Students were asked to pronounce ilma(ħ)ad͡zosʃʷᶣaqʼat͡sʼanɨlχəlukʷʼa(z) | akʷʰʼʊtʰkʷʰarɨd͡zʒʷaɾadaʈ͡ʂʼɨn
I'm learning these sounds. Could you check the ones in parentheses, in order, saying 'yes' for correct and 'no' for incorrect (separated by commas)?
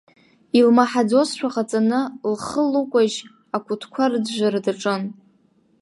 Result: yes, no